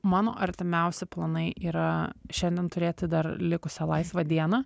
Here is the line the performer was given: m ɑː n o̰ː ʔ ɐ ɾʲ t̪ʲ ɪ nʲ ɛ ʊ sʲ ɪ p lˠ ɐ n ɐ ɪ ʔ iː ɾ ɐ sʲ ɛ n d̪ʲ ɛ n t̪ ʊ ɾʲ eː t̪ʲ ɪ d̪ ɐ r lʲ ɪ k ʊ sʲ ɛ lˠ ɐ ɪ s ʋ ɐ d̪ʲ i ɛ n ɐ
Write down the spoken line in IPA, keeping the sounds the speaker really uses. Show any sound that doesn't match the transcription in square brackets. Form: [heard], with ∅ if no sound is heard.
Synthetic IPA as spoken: m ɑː n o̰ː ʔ ɐ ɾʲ t̪ʲ ɪ [mʲ] ɛ ʊ sʲ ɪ p lˠ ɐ n ɐ ɪ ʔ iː ɾ ɐ [ʃʲ] ɛ n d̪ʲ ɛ n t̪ ʊ ɾʲ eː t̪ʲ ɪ d̪ ɐ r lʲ ɪ k ʊ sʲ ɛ lˠ ɐ ɪ s ʋ ɐ d̪ʲ i ɛ n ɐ